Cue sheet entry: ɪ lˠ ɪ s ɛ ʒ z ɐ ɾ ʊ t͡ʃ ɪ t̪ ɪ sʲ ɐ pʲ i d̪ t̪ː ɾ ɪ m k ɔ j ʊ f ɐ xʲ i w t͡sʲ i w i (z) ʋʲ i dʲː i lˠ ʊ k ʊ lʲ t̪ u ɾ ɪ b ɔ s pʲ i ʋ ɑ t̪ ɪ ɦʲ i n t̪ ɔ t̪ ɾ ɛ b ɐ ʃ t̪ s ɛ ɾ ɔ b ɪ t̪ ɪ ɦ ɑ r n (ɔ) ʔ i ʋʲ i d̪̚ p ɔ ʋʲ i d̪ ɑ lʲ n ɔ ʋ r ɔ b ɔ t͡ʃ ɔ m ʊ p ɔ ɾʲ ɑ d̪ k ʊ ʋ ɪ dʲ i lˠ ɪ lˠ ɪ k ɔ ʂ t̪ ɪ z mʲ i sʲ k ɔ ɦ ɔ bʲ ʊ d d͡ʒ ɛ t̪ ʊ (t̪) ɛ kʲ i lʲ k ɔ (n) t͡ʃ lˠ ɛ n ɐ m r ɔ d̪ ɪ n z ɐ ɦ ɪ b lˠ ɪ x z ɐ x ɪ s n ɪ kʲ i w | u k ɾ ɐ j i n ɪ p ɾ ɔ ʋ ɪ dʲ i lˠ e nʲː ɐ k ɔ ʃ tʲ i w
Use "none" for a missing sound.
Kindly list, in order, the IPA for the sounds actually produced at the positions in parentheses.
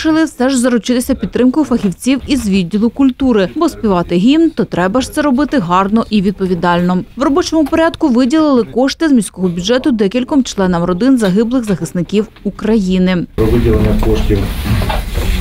z, ɔ, d̪, m

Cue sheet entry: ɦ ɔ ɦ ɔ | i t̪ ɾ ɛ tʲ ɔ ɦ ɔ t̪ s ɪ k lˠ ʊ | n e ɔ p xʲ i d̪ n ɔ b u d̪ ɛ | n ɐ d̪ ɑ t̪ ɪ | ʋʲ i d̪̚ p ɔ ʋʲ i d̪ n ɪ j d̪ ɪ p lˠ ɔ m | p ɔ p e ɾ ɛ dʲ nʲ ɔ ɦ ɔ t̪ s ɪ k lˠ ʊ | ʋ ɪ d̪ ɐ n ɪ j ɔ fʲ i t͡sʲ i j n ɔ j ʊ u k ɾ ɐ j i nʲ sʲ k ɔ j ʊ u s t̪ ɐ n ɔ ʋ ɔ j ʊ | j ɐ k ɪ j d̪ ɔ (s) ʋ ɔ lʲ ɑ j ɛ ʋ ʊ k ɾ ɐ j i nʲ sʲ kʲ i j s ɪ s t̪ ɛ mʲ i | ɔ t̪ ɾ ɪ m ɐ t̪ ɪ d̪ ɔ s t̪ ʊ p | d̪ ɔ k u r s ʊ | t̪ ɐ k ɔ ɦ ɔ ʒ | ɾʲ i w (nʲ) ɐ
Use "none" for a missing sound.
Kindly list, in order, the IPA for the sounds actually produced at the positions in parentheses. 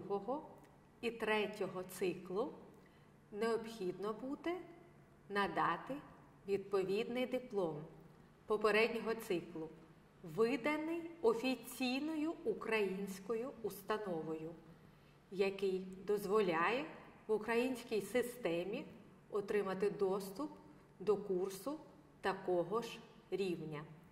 z, nʲ

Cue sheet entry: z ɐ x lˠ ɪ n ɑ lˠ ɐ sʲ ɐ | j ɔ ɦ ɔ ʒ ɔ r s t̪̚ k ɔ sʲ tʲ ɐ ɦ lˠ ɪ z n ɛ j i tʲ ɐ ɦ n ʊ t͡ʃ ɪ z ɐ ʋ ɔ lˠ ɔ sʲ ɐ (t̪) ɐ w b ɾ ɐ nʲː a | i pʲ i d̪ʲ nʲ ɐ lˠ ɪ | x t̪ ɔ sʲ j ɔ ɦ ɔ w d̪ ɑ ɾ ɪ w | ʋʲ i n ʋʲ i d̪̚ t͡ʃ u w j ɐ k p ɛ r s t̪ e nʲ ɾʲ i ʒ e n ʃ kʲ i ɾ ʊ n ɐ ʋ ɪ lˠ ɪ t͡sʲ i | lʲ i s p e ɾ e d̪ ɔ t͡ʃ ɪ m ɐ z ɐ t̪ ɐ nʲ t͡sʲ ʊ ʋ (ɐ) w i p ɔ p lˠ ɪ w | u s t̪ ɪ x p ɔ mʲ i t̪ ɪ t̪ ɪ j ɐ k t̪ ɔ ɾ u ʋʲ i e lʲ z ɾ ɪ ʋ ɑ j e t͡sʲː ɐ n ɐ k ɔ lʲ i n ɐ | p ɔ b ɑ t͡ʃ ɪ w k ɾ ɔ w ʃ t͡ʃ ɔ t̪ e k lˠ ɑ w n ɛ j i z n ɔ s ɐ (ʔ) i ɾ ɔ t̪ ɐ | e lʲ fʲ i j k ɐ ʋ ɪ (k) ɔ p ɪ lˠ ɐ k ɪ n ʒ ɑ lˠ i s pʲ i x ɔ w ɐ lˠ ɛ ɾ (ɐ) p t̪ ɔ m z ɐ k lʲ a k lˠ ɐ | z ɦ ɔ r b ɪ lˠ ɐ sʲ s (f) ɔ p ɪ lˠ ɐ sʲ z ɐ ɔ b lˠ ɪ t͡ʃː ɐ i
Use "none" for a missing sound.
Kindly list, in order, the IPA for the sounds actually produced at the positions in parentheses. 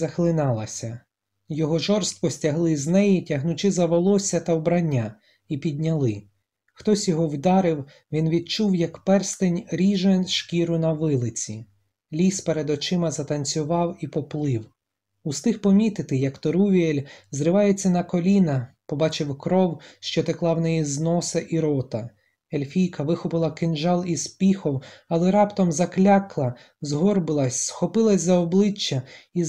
t̪, ɑ, ʔ, x, ɑ, x

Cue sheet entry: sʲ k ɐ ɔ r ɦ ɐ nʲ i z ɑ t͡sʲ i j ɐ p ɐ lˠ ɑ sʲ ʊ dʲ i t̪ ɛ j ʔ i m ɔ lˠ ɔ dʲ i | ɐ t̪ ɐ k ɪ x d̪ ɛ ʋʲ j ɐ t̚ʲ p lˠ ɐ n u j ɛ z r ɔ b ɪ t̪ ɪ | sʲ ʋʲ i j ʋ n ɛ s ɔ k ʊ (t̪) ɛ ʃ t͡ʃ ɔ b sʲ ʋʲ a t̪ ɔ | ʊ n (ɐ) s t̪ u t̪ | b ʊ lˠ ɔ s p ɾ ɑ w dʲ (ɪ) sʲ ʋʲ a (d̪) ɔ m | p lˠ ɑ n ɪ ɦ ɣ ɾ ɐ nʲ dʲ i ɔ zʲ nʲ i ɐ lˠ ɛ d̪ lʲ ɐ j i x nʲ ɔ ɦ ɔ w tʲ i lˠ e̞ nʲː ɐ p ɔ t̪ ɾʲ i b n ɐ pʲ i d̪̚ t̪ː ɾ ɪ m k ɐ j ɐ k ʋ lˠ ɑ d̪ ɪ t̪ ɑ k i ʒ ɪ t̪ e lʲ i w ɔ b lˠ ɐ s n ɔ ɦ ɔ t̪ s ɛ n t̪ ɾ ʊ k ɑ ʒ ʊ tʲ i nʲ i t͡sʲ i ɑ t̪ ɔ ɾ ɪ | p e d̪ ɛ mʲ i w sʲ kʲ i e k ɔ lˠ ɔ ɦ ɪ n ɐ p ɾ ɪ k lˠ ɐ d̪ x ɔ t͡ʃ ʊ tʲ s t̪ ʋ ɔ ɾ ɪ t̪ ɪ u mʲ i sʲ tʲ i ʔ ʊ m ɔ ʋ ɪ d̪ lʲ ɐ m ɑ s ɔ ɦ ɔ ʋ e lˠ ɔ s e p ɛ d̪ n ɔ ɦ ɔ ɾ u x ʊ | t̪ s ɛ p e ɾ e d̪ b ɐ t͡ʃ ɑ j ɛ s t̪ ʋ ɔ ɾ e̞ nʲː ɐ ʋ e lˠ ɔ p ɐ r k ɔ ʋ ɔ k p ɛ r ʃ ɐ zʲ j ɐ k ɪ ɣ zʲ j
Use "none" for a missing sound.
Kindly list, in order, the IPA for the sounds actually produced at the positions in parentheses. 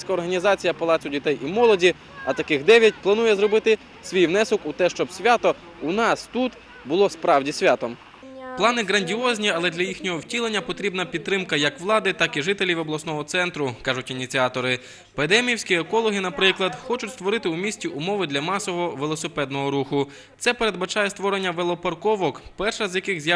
t̪, ɑ, i, t̪

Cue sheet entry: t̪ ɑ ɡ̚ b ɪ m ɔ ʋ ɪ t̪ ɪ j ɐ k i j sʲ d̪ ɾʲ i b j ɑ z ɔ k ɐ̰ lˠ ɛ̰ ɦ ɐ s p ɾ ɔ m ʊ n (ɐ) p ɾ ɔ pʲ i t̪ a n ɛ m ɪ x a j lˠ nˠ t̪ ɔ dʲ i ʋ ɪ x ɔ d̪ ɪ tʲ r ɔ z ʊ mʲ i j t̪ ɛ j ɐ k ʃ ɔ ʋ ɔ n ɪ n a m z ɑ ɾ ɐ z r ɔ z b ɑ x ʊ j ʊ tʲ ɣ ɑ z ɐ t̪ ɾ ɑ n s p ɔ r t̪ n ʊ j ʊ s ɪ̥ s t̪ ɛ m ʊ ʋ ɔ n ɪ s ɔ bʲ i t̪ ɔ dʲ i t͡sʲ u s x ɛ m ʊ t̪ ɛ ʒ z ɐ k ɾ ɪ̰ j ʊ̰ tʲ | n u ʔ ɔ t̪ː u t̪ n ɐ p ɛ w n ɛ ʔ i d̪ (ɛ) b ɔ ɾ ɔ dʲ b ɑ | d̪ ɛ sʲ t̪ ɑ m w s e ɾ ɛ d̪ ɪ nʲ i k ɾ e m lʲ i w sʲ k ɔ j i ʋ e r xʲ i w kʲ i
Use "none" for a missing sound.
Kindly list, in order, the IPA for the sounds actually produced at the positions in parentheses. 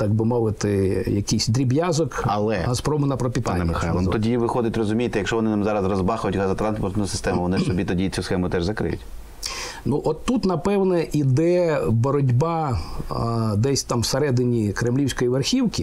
ɐ, ɛ

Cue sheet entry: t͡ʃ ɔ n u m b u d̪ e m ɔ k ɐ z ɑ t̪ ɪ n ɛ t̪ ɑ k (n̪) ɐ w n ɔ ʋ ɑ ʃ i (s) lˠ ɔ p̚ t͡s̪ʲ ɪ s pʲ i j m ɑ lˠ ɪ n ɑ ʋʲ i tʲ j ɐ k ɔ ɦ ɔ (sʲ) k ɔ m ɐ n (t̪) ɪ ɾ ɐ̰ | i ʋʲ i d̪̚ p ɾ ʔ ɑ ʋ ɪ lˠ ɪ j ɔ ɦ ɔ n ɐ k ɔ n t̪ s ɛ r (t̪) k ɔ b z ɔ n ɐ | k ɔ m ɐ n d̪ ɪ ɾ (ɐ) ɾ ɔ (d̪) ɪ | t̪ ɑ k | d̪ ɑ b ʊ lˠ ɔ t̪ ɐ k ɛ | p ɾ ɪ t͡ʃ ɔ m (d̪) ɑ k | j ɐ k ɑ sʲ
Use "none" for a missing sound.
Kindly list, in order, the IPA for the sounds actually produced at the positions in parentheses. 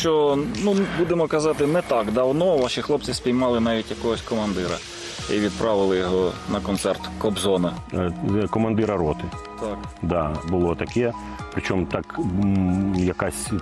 d̪, x, sʲ, d̪, t̪, ɐ, t̪, t̪

